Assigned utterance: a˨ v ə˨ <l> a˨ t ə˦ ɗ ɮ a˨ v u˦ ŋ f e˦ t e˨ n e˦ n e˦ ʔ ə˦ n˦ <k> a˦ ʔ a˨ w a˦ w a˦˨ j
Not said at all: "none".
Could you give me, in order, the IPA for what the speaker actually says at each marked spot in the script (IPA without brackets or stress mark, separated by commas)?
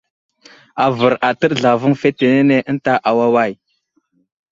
ɾ, t